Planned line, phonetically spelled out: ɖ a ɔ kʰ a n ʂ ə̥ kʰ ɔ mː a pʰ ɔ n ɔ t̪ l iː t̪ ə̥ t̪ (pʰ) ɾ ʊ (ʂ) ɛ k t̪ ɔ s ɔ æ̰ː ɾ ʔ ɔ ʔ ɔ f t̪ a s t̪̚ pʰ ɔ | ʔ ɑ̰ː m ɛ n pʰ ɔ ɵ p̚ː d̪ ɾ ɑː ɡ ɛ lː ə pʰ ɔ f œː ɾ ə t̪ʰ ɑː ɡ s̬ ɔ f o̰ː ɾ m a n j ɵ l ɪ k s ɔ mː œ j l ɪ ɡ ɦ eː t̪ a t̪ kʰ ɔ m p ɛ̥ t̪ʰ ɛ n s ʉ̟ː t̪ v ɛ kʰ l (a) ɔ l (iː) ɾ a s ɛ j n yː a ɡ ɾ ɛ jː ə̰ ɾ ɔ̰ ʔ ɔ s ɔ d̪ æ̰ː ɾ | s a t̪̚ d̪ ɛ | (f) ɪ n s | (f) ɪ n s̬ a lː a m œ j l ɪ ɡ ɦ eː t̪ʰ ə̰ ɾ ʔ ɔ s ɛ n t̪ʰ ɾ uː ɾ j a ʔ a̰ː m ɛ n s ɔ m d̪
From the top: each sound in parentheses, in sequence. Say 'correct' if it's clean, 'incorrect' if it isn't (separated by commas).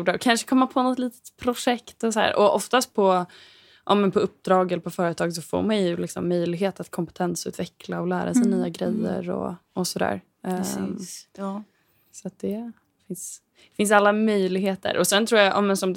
correct, correct, correct, incorrect, correct, correct